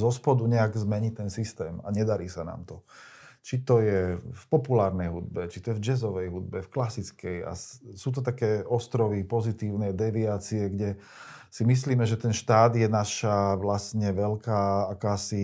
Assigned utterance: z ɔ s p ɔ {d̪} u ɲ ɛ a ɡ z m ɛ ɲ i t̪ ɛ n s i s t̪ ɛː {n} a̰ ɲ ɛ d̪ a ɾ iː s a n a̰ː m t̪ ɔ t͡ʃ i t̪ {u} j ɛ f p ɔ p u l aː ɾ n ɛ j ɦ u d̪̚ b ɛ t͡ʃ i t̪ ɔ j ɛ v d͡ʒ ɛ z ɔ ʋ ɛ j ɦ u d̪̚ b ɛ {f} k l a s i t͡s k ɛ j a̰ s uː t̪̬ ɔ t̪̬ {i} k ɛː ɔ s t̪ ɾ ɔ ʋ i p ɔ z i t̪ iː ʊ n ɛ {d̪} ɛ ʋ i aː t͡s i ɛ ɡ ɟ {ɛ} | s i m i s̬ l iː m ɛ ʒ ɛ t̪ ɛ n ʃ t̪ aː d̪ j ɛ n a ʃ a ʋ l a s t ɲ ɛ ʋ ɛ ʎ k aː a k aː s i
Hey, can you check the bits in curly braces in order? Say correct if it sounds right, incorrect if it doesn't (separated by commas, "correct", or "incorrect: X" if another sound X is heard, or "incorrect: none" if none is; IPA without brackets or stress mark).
correct, incorrect: m, incorrect: ɔ, correct, incorrect: a, correct, correct